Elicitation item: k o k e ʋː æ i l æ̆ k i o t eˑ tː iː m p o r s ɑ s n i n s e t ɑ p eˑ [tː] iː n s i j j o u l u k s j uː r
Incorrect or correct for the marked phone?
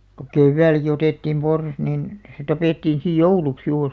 correct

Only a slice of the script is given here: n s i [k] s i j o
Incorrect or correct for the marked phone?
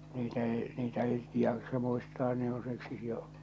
correct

